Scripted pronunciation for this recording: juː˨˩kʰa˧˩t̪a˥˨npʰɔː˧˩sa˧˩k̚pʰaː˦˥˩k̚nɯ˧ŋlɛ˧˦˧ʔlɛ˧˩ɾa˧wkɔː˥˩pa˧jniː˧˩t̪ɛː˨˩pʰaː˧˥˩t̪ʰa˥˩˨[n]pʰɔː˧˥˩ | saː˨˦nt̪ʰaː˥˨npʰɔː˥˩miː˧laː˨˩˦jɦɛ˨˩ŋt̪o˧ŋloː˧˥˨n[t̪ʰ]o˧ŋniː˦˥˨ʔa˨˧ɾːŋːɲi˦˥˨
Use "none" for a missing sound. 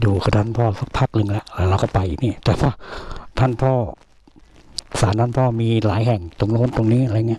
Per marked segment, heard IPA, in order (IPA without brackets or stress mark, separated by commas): n, t̪